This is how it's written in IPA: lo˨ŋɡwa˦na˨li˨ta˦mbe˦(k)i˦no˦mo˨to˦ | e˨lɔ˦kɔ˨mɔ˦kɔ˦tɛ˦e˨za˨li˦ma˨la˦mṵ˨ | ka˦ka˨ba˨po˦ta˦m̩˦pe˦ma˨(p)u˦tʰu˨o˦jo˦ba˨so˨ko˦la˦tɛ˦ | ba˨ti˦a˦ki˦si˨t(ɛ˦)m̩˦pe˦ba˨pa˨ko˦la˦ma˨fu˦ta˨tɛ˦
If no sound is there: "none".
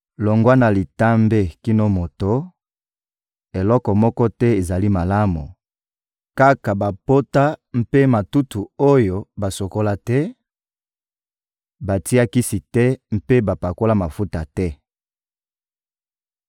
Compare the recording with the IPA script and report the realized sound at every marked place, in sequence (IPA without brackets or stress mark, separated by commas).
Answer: k, t, ɛ˦